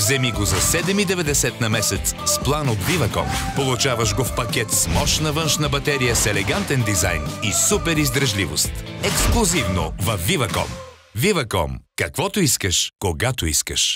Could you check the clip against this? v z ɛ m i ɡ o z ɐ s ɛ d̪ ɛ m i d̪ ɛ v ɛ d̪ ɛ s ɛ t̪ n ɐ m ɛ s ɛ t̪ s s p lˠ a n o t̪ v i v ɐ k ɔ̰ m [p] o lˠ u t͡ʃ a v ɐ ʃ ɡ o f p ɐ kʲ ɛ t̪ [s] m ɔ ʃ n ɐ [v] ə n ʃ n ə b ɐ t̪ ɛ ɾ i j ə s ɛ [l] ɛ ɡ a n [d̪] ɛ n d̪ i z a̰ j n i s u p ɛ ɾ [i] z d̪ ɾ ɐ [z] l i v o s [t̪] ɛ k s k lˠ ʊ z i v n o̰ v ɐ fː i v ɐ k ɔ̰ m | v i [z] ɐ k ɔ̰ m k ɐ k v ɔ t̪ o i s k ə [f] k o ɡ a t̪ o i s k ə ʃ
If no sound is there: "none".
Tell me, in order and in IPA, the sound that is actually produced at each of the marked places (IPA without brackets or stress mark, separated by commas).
p, s, v, l, t̪, i, ʒ, t̪, v, ʃ